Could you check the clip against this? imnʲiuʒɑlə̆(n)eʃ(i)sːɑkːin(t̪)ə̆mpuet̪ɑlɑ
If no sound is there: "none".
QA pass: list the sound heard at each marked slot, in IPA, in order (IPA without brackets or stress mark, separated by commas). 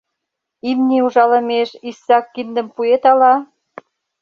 m, i, d̪